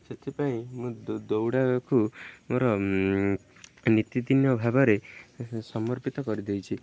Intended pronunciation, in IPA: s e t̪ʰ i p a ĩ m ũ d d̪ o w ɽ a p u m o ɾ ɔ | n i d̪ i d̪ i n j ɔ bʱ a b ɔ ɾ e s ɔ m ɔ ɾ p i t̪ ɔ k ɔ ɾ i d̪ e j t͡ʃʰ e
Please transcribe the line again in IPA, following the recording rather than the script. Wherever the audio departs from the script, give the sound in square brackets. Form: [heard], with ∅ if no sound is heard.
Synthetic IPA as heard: s e t̪ʰ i p a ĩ m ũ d d̪ o w ɽ a [k] u m o ɾ ɔ | n i [t̪] i d̪ i n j ɔ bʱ a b ɔ ɾ e s ɔ m ɔ ɾ p i t̪ ɔ k ɔ ɾ i d̪ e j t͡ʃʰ [i]